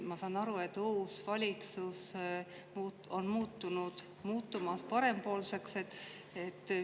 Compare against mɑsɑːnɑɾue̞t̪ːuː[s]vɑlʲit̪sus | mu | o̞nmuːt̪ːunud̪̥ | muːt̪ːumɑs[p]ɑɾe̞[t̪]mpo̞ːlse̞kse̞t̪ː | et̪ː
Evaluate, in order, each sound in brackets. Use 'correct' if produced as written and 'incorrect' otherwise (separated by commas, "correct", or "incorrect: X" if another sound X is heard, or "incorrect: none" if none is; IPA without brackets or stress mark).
correct, correct, incorrect: none